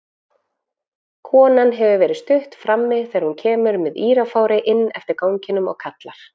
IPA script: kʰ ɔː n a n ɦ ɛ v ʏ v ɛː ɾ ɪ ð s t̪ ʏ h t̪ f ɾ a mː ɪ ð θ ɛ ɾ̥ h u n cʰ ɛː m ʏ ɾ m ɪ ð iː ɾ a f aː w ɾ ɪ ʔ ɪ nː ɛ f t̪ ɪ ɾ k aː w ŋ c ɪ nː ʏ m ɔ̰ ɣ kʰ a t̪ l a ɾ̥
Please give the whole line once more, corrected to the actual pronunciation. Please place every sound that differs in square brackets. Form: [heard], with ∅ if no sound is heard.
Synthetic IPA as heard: kʰ ɔː n a n ɦ ɛ v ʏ v ɛː ɾ ɪ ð s t̪ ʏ h t̪ f ɾ a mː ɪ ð θ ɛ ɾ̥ h u n cʰ ɛː m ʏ ɾ m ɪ ð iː ɾ a f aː w ɾ ɪ ʔ ɪ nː ɛ f t̪ ɪ ɾ k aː w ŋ c ɪ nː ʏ m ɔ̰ ɣ kʰ a t̪ l a ɾ̥